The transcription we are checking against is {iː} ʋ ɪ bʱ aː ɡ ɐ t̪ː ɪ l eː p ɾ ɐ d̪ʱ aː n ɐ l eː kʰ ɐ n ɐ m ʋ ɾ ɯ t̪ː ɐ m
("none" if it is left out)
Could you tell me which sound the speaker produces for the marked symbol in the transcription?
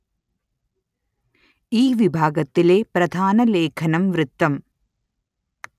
iː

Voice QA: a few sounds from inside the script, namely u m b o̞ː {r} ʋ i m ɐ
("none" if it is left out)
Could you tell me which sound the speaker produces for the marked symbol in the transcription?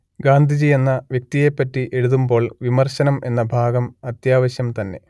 ɭ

